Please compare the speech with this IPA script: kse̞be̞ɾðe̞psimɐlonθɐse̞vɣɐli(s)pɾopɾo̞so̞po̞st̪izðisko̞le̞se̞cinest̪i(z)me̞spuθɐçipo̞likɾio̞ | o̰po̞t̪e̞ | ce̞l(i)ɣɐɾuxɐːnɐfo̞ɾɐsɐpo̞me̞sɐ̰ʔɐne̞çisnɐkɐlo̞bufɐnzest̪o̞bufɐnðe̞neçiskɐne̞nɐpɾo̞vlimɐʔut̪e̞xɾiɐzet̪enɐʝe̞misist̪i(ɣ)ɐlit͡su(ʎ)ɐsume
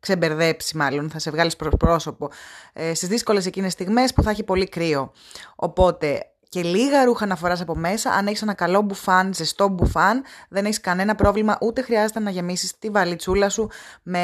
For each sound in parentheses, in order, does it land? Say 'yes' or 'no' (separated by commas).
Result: yes, no, yes, no, no